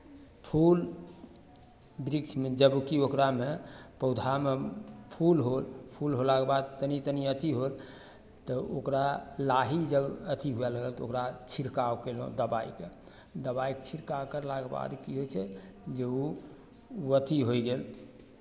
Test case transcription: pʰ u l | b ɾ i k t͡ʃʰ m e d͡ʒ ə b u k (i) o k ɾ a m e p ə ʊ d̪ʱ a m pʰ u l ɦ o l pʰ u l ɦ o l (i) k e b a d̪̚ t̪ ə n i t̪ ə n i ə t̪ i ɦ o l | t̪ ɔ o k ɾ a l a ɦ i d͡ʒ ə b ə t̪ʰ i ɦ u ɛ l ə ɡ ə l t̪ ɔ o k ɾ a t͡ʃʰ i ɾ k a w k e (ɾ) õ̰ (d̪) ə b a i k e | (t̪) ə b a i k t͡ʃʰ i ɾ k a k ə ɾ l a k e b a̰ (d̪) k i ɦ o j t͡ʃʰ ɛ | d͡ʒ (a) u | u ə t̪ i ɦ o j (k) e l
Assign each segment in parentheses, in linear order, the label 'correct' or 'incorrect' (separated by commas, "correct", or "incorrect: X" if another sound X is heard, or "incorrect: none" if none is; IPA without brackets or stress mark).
correct, incorrect: a, incorrect: l, correct, incorrect: d̪, correct, incorrect: e, incorrect: ɡ